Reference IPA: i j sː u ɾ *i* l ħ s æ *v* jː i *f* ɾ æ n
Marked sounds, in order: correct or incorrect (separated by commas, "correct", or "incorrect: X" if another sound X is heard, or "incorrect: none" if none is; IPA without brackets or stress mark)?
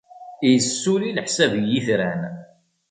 correct, correct, incorrect: θ